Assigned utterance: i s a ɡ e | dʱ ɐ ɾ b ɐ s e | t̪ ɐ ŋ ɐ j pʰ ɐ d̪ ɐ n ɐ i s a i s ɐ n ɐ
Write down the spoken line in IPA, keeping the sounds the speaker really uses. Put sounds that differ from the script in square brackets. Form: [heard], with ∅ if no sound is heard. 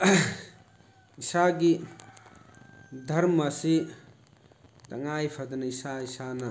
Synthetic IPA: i s a ɡ [i] | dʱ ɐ ɾ [m] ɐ s [i] | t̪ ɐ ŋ [a] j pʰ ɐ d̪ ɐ n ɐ i s a i s [a] n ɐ

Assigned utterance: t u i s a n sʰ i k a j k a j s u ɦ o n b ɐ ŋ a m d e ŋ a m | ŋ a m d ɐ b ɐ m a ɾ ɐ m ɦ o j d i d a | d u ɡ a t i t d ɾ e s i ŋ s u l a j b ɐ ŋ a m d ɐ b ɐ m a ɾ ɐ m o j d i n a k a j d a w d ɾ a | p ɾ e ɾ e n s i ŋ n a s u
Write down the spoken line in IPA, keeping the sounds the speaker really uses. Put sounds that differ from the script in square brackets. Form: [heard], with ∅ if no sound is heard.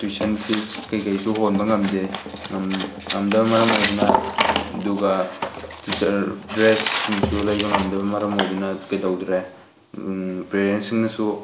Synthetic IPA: t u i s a n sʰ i k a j k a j s u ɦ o n b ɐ ŋ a m d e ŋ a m | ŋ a m d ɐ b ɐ m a ɾ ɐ m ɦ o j d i [n] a | d u ɡ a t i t d ɾ e s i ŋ s u l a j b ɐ ŋ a m d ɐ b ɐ m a ɾ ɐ m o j d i n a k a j d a w d ɾ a | p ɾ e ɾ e n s i ŋ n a s u

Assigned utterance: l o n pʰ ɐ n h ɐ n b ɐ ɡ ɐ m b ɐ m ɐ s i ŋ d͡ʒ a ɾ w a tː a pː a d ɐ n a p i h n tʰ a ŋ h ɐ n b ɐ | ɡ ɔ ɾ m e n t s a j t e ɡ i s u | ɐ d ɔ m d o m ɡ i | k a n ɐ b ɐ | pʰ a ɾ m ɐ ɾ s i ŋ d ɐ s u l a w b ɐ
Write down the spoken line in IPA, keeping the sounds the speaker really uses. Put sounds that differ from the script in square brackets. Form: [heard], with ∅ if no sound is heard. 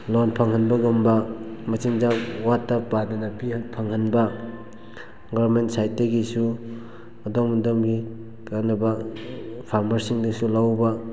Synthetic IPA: l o n pʰ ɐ [ŋ] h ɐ n b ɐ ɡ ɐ m b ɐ m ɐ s i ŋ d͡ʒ a [∅] w a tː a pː a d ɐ n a p i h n [pʰ] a ŋ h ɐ n b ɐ | ɡ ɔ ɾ m e n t s a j t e ɡ i s u | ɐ d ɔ m d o m ɡ i | k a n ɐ b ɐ | pʰ a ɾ m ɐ ɾ s i ŋ d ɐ s u l a w b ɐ

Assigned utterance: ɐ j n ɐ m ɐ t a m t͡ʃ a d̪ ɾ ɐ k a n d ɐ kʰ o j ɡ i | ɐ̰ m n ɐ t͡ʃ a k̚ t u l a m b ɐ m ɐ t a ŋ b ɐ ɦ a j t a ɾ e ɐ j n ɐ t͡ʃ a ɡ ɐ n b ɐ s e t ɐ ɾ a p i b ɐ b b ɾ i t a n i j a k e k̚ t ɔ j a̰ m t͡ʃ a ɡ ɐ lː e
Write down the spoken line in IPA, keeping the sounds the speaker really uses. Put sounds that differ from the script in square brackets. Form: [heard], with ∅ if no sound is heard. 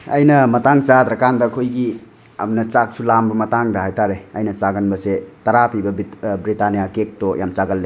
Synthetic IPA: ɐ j n ɐ m ɐ t a [ŋ] t͡ʃ a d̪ ɾ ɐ k a n d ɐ kʰ o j ɡ i | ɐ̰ m n ɐ t͡ʃ a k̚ [s] u l a m b ɐ m ɐ t a ŋ [d] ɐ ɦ a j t a ɾ e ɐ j n ɐ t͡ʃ a ɡ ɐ n b ɐ s e t ɐ ɾ a p i b ɐ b b ɾ i t a n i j a k e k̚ t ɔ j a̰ m t͡ʃ a ɡ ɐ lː e

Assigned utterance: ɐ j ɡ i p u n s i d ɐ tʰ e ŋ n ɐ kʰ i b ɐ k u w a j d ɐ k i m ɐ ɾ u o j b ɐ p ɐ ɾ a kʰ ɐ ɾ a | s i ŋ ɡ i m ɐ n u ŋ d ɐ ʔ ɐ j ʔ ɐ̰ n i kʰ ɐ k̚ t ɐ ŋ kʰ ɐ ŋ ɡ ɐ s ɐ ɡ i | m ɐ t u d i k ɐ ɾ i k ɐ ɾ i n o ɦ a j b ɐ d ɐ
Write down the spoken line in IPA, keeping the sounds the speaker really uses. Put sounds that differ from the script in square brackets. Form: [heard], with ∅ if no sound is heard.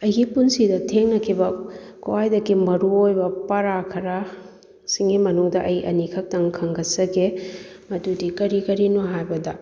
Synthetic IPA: ɐ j ɡ i p u n s i d ɐ tʰ e ŋ n ɐ kʰ i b ɐ k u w a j d ɐ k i m ɐ ɾ u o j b ɐ p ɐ ɾ a kʰ ɐ ɾ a | s i ŋ ɡ i m ɐ n u ŋ d ɐ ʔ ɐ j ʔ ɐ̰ n i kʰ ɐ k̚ t ɐ ŋ kʰ ɐ ŋ ɡ ɐ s ɐ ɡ [e] | m ɐ t u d i k ɐ ɾ i k ɐ ɾ i n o ɦ a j b ɐ d ɐ

